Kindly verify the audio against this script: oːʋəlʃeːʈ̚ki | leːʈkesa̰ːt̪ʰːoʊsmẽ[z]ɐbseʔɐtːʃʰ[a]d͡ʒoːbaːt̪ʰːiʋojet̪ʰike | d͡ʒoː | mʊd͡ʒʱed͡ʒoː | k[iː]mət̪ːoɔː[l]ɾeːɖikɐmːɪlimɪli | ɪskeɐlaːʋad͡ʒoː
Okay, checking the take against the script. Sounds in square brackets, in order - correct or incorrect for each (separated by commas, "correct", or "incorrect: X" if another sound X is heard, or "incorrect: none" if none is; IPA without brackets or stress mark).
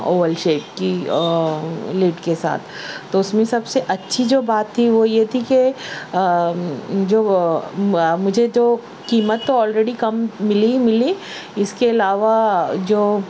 incorrect: s, incorrect: i, correct, correct